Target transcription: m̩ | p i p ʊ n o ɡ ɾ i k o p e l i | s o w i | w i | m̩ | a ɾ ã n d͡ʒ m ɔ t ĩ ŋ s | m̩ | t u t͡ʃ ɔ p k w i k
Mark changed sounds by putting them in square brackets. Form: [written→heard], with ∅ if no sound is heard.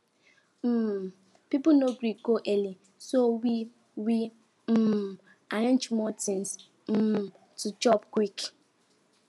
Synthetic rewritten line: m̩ | p i p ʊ n o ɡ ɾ i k o [p→ʔ] e l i | s o w i | w i | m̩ | a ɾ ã n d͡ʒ m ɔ t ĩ [ŋ→n] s | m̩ | t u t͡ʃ ɔ p k w i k